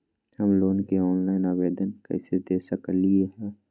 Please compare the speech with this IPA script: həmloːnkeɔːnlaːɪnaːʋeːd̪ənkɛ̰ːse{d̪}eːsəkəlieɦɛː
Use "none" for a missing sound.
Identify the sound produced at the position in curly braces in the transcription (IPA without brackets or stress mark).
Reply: d̪